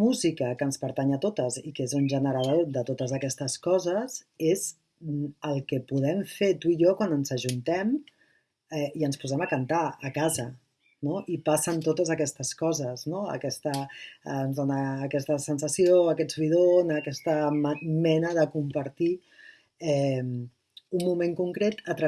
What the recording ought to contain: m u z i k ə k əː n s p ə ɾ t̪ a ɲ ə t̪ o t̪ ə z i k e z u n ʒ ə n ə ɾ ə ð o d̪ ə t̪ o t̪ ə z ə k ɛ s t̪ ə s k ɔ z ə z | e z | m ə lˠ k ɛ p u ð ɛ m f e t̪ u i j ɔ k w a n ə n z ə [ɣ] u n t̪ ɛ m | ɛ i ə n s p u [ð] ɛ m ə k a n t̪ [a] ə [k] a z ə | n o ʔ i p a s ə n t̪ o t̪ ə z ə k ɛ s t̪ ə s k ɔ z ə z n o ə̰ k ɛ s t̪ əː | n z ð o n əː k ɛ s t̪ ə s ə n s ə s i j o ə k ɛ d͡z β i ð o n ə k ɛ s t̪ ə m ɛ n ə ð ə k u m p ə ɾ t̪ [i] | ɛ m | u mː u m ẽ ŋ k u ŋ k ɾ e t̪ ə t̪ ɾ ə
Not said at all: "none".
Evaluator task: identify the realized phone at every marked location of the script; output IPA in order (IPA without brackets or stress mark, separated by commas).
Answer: ʒ, z, a, k, i